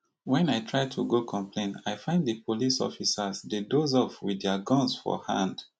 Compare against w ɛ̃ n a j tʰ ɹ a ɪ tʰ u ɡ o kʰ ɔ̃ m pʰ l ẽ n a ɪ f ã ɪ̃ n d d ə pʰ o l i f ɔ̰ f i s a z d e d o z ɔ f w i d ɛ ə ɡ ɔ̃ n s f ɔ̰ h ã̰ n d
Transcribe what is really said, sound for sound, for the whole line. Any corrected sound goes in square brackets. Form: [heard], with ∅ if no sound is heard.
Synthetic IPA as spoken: w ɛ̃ n a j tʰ ɹ a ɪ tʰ u ɡ o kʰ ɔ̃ m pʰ l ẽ n a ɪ f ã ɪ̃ n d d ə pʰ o l i [s] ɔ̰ f i s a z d e d o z ɔ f w i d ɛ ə ɡ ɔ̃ n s f ɔ̰ h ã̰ n d